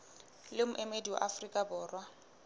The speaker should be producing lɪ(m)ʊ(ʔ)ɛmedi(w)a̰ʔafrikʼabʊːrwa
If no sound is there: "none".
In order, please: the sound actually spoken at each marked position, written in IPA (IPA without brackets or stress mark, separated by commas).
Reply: m, ʔ, w